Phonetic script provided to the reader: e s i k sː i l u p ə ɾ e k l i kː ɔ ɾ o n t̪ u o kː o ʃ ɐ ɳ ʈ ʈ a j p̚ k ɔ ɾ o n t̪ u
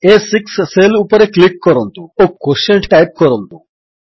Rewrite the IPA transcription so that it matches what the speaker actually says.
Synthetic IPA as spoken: e s i k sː e l u p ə ɾ e k l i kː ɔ ɾ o n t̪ u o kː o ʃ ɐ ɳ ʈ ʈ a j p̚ k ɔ ɾ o n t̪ u